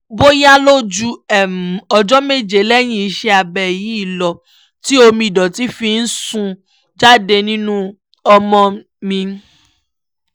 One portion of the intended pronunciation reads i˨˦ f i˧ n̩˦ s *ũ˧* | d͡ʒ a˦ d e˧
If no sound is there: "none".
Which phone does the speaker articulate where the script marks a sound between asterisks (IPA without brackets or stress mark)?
ũ˧